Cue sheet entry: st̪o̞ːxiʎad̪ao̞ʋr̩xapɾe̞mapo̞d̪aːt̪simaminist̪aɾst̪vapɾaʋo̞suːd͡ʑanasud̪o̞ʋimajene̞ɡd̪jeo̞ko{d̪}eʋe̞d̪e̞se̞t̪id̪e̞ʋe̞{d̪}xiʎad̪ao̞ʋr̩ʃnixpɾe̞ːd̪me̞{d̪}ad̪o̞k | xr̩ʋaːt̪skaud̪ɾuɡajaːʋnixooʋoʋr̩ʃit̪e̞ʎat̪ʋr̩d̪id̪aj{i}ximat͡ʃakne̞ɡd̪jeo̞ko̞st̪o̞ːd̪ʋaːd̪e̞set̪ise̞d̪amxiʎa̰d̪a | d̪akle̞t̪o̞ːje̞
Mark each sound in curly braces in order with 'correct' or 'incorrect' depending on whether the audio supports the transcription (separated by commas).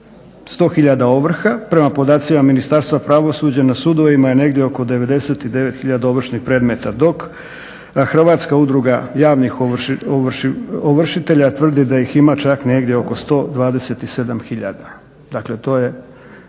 correct, incorrect, incorrect, correct